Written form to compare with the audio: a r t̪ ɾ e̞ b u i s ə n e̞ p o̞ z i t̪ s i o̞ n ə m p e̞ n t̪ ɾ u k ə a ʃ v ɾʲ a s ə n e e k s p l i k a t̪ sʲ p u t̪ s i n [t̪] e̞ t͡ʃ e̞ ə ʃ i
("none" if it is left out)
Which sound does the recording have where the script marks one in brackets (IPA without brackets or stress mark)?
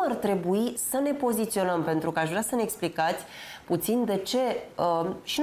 d̪